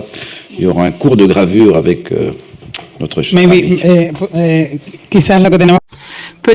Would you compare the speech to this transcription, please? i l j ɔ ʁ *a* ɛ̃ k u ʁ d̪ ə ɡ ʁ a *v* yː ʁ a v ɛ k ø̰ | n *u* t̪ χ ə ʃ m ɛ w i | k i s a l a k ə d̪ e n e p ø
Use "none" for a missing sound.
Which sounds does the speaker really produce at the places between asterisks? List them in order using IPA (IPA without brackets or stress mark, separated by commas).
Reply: a, v, ɔ